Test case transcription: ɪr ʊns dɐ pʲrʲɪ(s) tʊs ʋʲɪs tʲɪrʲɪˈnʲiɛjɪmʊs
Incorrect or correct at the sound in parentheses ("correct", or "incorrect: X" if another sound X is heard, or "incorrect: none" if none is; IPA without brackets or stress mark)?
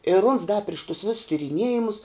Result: incorrect: ʃ